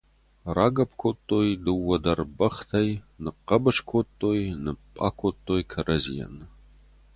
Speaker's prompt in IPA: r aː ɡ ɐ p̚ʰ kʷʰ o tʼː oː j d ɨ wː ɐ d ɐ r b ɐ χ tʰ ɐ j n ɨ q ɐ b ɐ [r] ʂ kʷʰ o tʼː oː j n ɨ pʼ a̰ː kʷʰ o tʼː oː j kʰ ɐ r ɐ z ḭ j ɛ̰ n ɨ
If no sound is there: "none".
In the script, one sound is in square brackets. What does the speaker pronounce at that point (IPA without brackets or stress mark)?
none